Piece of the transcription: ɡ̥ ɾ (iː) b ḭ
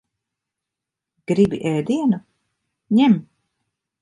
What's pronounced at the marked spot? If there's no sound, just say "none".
i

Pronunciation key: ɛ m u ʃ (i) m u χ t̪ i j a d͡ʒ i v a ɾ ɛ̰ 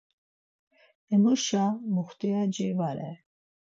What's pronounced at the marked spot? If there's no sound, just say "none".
a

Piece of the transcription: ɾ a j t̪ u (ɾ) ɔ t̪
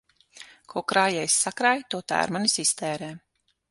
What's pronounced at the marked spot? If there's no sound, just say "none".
none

